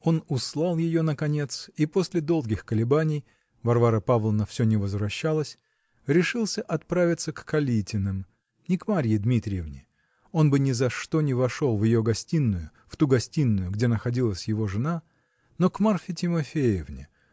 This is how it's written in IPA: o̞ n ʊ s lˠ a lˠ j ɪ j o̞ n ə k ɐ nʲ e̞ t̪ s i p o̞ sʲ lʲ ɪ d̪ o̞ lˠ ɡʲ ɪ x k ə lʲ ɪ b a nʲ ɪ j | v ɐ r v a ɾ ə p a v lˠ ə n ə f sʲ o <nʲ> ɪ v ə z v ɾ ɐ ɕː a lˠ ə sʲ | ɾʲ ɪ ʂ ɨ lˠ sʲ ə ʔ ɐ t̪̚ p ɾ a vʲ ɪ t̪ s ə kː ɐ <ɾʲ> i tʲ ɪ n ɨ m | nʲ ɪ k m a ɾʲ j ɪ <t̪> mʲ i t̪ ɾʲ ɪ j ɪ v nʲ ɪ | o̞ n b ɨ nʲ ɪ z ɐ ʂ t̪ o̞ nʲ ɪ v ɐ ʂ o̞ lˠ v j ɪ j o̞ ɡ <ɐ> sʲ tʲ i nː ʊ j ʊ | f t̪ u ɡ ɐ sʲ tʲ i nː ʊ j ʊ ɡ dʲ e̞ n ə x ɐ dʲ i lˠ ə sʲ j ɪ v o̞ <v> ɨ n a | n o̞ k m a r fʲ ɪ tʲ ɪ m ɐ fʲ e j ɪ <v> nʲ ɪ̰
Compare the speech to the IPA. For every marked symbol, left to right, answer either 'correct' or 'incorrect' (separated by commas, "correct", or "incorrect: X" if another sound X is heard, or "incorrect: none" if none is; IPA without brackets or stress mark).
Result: correct, incorrect: lʲ, incorrect: d̪, correct, incorrect: ʐ, correct